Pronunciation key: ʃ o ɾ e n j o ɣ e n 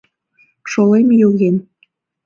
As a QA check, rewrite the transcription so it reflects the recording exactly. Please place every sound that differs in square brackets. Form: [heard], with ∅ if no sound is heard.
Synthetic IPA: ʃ o [l] e [m] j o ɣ e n